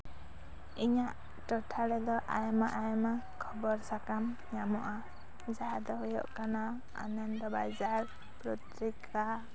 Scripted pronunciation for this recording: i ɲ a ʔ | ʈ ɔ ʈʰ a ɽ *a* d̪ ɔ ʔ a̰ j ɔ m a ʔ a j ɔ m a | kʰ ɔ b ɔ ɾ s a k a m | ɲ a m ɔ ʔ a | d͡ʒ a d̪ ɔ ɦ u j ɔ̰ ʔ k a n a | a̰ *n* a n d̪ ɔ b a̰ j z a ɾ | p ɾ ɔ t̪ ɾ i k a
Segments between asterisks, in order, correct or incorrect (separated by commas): incorrect, correct